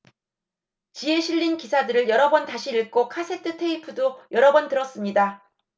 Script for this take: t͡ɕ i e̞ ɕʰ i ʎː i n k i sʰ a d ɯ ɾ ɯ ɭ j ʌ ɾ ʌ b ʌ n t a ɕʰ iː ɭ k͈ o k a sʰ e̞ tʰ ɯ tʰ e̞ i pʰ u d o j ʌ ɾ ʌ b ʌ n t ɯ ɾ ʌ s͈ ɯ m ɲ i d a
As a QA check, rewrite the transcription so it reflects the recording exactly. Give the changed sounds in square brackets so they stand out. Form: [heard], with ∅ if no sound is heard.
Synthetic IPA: t͡ɕ i e̞ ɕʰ i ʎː i n k i sʰ a d ɯ ɾ ɯ ɭ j ʌ ɾ ʌ b ʌ n t a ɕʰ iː ɭ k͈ o [kʰ] a sʰ e̞ tʰ ɯ tʰ e̞ i pʰ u d o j ʌ ɾ ʌ b ʌ n t ɯ ɾ ʌ s͈ ɯ m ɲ i d a